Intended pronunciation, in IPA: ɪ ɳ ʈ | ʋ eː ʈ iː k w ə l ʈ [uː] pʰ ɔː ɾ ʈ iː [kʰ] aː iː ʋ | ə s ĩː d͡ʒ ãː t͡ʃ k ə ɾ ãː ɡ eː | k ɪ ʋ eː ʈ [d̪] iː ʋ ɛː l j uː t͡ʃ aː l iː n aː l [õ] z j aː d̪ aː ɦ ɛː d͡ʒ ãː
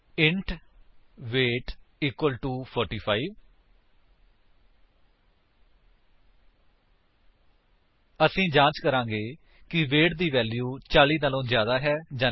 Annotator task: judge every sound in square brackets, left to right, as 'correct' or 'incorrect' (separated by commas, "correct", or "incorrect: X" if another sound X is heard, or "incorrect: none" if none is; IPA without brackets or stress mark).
correct, incorrect: pʰ, correct, incorrect: õː